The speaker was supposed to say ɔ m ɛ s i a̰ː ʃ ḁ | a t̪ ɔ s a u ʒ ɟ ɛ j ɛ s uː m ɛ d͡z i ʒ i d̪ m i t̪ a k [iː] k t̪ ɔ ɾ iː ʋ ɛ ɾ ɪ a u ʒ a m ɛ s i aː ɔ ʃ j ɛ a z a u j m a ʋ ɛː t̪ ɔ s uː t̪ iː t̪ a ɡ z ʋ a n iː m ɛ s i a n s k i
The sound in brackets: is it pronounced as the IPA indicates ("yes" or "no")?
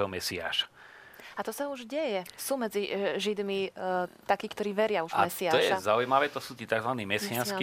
yes